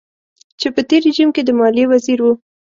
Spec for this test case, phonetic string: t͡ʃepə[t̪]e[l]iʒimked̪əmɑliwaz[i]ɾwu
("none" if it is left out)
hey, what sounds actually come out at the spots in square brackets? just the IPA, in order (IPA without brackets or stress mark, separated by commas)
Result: t̪, ɾ, i